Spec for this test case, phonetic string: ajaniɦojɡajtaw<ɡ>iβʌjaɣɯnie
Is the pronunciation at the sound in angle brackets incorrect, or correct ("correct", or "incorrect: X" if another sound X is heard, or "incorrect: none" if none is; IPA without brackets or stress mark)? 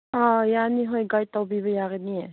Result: incorrect: b